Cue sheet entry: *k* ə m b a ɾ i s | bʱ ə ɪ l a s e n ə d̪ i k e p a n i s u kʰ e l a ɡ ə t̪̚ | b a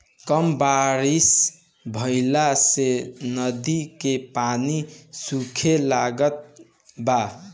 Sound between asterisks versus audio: correct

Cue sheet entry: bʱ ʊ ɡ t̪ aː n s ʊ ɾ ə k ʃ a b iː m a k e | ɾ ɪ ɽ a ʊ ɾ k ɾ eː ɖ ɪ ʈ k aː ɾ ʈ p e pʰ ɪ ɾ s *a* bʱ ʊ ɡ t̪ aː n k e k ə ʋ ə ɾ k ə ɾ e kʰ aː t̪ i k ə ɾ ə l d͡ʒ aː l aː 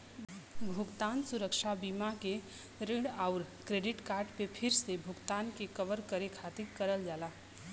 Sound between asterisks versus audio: incorrect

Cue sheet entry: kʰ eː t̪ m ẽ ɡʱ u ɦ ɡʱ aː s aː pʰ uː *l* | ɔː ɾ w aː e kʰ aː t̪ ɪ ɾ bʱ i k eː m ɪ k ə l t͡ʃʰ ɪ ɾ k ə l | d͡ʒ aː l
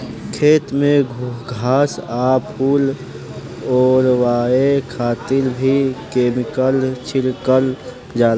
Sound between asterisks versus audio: correct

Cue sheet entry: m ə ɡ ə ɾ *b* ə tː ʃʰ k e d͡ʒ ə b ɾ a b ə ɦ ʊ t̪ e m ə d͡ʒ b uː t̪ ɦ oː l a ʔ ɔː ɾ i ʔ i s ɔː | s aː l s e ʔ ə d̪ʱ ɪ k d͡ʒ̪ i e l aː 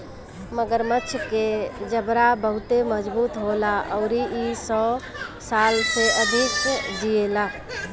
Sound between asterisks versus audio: incorrect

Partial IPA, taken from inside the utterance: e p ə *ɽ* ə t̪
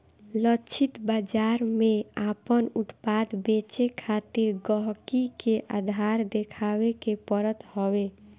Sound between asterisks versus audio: incorrect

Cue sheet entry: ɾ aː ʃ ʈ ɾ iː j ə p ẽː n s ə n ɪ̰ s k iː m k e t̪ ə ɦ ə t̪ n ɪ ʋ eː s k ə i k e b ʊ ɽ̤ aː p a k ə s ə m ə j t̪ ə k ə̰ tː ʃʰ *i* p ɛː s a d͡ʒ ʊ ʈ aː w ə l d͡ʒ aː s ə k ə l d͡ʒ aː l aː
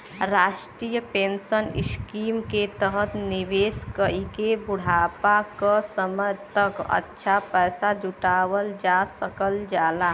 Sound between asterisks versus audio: incorrect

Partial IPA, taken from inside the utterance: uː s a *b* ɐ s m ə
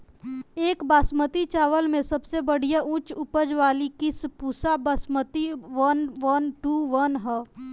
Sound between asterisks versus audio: correct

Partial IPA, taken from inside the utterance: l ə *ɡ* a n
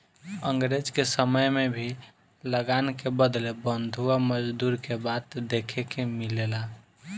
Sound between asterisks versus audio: correct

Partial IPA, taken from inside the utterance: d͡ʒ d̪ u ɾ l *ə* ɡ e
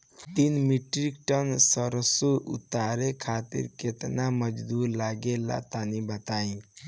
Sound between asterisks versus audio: incorrect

